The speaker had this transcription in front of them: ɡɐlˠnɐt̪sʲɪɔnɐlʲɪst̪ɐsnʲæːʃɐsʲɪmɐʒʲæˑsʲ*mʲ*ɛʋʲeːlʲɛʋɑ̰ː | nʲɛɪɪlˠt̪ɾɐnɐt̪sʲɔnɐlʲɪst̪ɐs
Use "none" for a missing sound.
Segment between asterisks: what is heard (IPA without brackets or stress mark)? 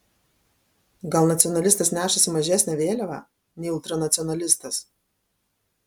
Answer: nʲ